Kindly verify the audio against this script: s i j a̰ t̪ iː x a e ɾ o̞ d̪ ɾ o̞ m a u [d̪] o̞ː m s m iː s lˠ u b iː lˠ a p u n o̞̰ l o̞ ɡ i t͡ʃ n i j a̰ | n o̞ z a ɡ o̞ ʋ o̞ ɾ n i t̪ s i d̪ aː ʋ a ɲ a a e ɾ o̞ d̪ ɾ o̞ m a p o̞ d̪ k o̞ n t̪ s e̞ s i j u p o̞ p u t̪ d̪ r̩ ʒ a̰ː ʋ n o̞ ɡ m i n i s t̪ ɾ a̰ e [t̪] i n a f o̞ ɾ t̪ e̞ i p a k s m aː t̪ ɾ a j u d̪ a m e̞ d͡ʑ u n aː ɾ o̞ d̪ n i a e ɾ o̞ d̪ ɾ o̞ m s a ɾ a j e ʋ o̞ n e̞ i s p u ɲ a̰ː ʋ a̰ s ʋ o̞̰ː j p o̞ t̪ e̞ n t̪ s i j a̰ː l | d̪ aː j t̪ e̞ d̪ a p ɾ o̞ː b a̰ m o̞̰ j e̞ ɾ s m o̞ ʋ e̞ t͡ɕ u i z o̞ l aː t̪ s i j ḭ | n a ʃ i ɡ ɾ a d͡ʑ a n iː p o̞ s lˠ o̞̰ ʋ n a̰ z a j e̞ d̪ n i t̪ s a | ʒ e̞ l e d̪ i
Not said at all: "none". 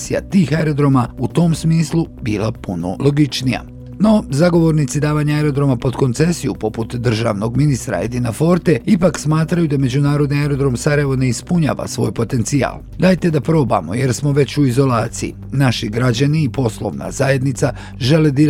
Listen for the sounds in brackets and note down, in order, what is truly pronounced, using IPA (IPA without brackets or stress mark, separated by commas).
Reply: t̪, d̪